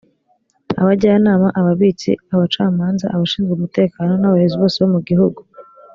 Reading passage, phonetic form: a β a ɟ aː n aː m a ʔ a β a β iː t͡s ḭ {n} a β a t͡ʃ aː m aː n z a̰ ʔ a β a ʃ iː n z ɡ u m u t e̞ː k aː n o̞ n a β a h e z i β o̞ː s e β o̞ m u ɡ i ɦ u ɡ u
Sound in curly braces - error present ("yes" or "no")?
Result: yes